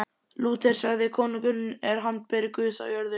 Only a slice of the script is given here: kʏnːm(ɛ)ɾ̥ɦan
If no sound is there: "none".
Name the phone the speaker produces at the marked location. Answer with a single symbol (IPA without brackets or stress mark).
ɛ